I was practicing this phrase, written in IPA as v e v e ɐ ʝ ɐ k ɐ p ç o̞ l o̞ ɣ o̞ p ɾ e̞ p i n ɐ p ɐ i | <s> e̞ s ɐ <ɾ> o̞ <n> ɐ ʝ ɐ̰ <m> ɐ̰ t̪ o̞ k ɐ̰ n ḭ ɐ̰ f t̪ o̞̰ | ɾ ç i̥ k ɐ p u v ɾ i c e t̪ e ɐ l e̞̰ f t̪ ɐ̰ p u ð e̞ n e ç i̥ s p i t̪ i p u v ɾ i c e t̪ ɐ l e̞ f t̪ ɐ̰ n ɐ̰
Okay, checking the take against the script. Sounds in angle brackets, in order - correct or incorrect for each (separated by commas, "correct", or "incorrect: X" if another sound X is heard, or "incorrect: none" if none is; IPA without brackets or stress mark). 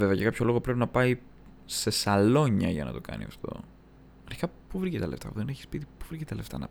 correct, incorrect: l, incorrect: ɲ, incorrect: n